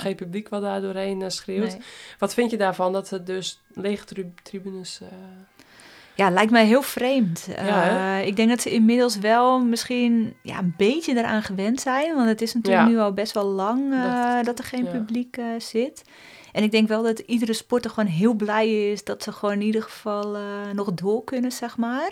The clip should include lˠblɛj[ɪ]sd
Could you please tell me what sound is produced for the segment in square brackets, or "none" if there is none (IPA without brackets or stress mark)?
ɪ